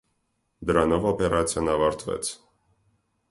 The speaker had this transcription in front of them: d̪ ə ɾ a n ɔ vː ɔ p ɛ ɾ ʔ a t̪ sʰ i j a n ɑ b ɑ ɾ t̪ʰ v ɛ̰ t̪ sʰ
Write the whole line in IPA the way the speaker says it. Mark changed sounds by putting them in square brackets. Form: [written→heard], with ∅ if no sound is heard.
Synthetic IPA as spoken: d̪ ə ɾ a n ɔ [vː→v] ɔ p ɛ ɾ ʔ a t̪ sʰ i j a n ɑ [b→v] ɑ ɾ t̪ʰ v ɛ̰ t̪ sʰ